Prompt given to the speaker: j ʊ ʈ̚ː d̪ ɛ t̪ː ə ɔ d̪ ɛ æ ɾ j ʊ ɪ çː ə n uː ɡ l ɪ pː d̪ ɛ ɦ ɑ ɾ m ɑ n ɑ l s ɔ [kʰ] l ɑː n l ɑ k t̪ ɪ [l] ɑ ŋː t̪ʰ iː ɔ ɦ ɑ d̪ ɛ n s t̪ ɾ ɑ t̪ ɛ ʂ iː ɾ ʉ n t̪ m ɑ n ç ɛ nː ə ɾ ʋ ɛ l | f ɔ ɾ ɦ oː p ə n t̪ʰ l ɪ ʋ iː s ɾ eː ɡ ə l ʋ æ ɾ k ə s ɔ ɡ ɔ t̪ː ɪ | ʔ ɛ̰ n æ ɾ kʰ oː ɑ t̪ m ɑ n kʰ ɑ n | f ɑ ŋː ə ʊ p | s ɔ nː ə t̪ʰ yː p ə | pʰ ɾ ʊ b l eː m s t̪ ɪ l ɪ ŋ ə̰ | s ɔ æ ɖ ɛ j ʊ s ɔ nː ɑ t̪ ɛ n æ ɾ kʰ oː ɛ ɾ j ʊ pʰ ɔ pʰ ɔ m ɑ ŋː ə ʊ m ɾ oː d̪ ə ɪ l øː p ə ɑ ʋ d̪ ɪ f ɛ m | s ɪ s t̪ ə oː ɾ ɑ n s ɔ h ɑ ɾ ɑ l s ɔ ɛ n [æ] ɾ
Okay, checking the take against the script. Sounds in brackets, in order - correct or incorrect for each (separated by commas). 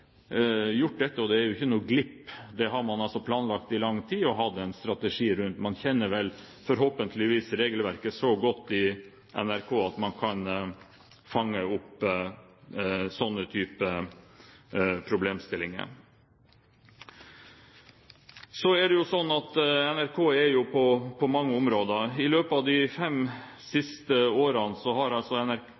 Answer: incorrect, correct, correct